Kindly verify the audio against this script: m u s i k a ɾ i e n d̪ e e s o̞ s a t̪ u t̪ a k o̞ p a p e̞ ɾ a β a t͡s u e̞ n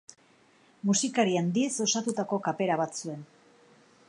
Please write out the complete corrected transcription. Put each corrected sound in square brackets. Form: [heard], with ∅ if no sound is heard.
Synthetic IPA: m u s i k a ɾ i [a] n d̪ [i] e s o̞ s a t̪ u t̪ a k o̞ [k] a p e̞ ɾ a β a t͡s u e̞ n